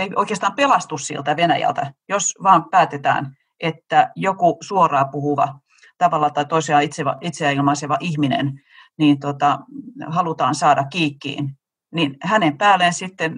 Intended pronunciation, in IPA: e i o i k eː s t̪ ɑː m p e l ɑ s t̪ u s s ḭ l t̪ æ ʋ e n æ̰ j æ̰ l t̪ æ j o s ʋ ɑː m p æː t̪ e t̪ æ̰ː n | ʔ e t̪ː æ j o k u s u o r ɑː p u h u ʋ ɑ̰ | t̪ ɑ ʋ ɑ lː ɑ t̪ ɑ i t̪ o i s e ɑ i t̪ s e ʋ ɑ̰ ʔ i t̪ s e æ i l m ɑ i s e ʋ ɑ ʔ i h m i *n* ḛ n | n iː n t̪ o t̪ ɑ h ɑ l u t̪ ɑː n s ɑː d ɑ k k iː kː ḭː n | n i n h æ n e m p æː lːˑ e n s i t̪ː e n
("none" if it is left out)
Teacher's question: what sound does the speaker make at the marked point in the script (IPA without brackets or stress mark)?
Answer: n